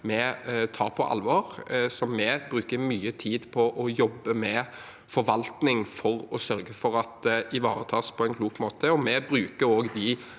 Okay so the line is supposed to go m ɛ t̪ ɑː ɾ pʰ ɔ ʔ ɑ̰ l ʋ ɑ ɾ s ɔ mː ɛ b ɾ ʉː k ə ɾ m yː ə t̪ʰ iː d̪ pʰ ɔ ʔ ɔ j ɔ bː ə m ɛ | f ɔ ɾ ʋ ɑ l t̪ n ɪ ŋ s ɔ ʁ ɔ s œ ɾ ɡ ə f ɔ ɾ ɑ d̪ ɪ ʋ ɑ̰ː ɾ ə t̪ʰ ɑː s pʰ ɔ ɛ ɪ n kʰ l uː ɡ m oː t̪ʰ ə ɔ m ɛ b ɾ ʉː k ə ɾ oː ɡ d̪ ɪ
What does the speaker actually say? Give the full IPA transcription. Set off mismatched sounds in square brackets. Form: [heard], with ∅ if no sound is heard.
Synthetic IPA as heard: m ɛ [t̪ʰ] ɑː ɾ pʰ ɔ ʔ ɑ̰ l ʋ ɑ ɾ s ɔ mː ɛ b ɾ ʉː k ə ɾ m yː ə t̪ʰ iː d̪ pʰ ɔ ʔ ɔ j ɔ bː ə m ɛ | f ɔ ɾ ʋ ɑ l t̪ n ɪ ŋ [f] ɔ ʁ ɔ s œ ɾ ɡ ə f ɔ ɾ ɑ [t̪] ɪ ʋ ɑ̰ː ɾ ə t̪ʰ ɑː s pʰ ɔ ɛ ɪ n kʰ l uː [k] m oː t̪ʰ ə ɔ m ɛ b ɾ ʉː k ə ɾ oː ɡ d̪ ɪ